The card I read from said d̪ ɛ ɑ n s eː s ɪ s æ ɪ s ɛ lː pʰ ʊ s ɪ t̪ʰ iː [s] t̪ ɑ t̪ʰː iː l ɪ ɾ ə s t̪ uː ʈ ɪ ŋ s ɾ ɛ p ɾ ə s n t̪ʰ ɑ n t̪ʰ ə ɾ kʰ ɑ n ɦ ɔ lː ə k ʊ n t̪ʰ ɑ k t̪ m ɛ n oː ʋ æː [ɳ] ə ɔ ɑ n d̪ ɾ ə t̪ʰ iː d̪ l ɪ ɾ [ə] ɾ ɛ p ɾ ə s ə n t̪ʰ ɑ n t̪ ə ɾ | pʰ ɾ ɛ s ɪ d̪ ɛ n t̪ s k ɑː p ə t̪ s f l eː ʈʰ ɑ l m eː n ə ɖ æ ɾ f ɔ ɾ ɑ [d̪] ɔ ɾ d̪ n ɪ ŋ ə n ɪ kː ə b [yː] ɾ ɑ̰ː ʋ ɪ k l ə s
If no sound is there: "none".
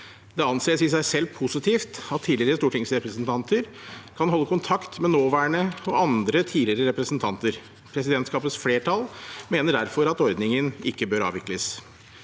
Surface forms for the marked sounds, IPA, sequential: f, ɳ, ə, t̪, øː

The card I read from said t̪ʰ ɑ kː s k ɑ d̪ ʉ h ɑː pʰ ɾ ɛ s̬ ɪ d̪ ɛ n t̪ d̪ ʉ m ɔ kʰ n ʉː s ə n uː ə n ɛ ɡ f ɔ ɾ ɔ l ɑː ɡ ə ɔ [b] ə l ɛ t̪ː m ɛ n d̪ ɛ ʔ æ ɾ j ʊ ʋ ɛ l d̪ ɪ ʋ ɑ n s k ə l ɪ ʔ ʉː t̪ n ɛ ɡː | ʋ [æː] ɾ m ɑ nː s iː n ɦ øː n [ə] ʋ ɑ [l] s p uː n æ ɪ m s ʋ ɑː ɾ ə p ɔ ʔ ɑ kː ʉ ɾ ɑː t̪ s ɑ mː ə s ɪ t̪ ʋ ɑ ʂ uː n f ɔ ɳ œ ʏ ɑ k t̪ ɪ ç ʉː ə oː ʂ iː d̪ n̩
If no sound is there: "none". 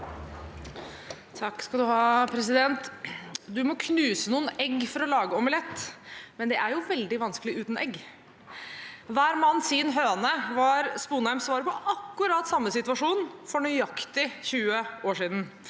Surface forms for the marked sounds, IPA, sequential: m, æː, ə, ɾ

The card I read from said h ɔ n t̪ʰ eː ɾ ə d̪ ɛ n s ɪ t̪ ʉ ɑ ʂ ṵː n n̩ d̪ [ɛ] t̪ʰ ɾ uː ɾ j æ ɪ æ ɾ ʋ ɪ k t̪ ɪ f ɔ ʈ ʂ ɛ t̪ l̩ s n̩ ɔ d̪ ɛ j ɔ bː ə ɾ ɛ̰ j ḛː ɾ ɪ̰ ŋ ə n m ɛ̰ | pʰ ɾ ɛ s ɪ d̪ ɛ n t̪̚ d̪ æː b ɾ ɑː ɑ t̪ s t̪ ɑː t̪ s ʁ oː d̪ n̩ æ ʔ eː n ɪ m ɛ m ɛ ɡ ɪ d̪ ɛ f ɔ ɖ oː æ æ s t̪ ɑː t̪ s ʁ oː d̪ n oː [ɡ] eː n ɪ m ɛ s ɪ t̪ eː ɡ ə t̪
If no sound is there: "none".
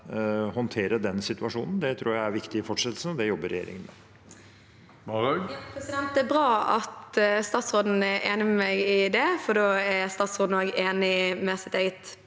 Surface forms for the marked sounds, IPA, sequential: ɛ, ɡ

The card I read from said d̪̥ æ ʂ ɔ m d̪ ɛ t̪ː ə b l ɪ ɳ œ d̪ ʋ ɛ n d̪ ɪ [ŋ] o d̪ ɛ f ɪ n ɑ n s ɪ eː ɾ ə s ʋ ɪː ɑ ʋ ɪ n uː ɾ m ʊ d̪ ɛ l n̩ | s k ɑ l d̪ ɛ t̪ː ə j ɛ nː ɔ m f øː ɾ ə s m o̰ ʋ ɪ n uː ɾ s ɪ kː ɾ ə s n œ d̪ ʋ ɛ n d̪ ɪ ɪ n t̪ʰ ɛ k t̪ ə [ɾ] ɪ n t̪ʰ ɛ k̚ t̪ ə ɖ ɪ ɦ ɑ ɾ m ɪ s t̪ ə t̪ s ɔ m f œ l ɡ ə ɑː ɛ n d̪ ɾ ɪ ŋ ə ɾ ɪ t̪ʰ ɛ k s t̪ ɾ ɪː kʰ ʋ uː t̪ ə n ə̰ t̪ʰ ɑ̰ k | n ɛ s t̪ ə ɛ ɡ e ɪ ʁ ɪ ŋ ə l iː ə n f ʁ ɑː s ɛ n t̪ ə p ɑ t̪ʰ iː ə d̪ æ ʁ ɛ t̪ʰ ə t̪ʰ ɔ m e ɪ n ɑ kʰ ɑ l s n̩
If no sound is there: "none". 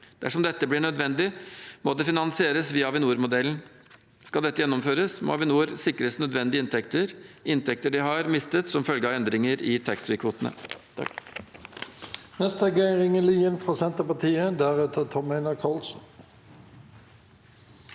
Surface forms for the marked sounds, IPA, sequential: m, ɾ

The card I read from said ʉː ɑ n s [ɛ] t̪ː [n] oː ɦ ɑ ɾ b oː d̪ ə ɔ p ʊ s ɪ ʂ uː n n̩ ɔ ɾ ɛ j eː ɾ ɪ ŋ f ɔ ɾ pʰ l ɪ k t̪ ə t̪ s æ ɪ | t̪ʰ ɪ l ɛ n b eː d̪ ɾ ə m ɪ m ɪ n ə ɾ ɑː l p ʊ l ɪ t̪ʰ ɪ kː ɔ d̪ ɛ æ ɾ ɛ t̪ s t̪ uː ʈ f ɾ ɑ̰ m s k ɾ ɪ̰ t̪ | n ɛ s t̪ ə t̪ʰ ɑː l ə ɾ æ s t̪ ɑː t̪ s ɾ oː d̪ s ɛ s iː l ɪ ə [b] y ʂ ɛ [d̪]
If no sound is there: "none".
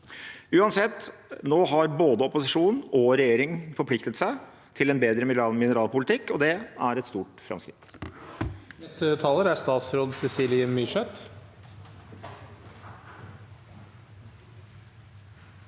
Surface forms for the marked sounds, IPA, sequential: ɛ, n, m, t̪

